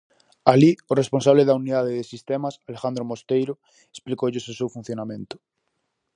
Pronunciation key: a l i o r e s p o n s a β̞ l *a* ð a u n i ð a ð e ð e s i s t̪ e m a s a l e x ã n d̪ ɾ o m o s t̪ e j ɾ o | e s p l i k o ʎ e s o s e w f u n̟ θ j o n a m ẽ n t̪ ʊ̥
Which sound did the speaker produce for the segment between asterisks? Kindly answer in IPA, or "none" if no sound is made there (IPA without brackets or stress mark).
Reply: e